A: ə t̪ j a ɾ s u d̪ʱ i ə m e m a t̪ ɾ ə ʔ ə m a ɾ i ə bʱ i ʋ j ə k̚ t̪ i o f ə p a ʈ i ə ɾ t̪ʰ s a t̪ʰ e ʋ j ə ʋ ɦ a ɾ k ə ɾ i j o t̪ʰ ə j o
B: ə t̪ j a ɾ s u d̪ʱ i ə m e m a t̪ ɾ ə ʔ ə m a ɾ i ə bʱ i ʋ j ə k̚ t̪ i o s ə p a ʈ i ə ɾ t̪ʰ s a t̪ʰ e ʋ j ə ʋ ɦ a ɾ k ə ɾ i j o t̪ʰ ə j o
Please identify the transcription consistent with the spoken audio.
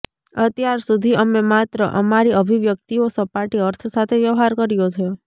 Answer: B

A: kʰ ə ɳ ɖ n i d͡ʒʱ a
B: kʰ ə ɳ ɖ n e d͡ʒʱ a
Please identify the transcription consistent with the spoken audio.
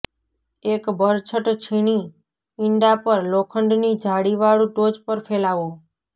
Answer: A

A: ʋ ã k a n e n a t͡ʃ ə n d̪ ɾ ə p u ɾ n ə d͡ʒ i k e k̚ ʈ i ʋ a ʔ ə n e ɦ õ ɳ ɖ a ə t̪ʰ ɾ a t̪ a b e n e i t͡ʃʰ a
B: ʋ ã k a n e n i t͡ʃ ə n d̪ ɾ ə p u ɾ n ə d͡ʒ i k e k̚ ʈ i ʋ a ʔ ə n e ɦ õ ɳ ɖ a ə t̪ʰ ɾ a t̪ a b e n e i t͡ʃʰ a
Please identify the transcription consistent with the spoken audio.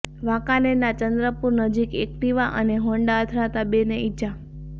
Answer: A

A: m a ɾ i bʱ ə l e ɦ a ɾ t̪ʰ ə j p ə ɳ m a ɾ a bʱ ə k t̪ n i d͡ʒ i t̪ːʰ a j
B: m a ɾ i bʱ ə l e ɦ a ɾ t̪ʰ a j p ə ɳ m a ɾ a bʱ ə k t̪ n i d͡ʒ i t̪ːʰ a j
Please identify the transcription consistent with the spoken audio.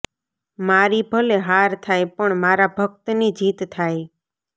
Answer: B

